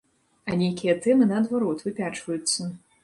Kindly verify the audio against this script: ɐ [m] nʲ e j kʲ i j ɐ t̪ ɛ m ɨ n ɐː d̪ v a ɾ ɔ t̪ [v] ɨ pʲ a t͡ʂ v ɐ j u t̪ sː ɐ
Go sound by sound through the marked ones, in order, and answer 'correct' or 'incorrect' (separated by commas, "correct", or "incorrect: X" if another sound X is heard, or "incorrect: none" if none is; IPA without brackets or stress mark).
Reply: incorrect: none, correct